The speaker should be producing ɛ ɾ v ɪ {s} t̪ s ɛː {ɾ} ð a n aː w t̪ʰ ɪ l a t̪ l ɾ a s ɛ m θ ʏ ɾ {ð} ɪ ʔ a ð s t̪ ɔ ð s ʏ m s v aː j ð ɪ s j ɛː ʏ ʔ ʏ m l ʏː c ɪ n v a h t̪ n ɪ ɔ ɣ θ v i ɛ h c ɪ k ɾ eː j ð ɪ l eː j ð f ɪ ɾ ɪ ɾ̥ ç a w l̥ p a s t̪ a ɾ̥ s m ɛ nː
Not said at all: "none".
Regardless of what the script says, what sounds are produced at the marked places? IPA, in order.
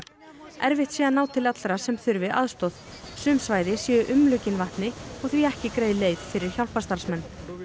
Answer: h, none, v

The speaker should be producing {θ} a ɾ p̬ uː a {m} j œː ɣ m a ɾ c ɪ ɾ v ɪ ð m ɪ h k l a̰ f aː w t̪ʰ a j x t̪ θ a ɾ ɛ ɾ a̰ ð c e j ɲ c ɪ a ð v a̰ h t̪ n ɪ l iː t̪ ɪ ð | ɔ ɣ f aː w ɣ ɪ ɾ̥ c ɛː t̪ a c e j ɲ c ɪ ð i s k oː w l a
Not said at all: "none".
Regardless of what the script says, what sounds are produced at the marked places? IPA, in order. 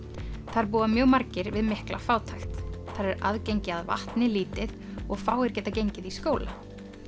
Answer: θ, m

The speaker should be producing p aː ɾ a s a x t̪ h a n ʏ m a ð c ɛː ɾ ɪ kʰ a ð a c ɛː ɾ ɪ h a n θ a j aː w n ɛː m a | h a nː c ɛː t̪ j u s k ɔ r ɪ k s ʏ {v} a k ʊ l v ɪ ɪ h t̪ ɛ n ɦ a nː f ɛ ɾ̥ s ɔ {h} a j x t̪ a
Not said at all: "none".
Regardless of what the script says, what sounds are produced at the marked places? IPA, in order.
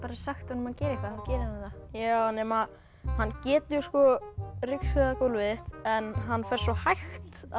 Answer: ð, h

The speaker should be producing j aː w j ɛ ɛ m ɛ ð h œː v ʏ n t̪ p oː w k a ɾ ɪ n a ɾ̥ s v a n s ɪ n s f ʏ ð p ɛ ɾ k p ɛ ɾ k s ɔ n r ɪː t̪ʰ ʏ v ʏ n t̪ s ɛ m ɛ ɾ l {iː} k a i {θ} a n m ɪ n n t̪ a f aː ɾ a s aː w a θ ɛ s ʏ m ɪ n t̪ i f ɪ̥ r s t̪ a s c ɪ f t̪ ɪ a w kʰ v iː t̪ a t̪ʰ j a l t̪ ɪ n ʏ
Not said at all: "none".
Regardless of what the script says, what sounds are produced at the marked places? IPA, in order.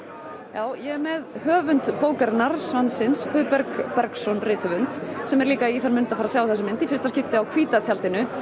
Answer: iː, θ

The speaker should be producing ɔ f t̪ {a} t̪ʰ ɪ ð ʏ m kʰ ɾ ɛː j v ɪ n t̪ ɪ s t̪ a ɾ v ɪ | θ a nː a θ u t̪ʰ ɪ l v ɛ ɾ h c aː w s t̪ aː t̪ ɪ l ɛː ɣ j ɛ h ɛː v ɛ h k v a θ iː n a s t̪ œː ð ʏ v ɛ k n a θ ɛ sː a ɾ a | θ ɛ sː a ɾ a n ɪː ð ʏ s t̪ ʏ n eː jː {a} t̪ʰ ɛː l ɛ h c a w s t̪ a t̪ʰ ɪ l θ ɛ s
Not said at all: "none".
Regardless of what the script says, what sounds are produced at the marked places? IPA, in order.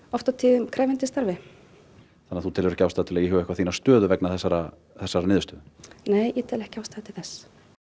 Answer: a, ɛ

